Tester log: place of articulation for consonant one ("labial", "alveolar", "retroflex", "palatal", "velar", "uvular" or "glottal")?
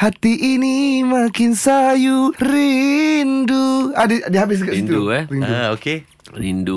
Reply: glottal